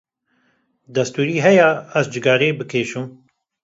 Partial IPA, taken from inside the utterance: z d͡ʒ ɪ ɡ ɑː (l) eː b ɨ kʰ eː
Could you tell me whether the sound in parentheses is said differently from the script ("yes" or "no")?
yes